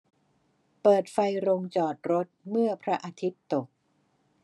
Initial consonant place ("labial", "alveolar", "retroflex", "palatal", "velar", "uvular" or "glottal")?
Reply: labial